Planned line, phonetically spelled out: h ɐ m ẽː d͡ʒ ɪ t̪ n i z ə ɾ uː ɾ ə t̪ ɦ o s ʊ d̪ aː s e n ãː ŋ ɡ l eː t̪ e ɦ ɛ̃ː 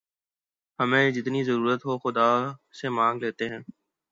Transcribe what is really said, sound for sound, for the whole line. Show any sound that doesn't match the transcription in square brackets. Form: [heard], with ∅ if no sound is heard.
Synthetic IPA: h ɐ m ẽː d͡ʒ ɪ t̪ n i z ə ɾ uː ɾ ə t̪ ɦ o [x] ʊ d̪ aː s e [m] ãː ŋ ɡ l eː t̪ e ɦ ɛ̃ː